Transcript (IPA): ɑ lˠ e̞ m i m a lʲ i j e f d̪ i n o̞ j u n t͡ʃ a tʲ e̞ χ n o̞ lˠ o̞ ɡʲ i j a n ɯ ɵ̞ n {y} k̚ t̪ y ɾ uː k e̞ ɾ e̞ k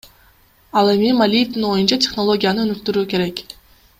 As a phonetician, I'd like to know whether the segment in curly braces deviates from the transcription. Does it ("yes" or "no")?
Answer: no